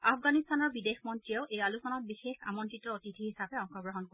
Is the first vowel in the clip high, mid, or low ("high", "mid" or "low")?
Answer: low